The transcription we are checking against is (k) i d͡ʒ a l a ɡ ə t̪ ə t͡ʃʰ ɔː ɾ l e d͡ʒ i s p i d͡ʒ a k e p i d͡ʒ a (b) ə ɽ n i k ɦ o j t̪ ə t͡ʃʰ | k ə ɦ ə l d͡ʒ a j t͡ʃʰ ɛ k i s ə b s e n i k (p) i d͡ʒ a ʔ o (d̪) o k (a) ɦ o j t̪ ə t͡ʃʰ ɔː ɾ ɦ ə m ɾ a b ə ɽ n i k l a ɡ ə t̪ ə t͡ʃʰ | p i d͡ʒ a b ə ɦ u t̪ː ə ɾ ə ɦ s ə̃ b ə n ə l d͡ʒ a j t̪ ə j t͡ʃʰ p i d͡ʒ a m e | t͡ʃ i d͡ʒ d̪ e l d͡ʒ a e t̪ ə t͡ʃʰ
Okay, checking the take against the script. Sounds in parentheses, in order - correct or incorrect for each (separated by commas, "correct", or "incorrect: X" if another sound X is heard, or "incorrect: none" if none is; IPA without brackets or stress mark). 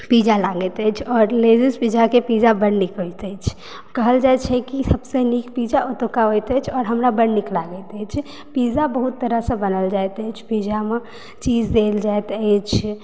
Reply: incorrect: p, correct, correct, incorrect: t̪, correct